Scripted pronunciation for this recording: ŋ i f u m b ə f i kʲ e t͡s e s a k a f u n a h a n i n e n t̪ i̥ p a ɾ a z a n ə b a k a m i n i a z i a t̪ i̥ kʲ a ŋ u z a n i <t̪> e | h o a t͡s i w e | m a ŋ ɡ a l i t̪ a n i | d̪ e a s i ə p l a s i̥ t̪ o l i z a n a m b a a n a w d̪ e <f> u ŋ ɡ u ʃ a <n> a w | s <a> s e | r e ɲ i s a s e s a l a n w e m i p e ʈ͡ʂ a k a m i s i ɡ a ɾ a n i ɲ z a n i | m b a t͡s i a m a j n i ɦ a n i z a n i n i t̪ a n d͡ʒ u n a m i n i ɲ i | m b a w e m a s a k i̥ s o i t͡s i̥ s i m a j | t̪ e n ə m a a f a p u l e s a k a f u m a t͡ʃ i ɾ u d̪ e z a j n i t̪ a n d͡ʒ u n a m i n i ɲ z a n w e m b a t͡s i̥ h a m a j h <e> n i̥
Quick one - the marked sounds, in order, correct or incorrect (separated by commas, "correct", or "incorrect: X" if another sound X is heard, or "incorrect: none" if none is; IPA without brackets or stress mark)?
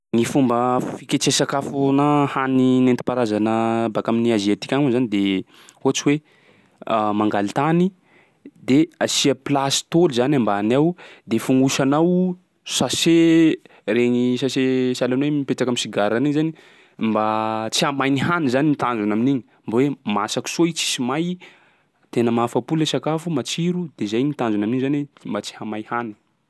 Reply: incorrect: d̪, correct, correct, correct, incorrect: a